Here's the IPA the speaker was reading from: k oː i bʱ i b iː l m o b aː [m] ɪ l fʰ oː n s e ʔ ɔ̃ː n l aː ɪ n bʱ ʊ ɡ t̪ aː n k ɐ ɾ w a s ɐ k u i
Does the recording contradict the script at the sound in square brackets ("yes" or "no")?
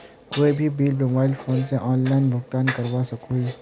yes